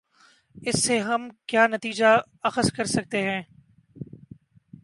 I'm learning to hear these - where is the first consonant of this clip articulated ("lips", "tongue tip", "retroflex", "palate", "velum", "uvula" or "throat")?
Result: tongue tip